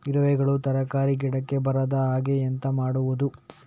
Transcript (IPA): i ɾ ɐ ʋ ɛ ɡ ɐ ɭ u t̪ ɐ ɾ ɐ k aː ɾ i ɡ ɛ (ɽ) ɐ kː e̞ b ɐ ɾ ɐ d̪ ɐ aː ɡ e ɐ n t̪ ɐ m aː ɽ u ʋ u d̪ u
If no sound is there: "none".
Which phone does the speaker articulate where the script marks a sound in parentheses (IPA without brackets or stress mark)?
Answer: ɽ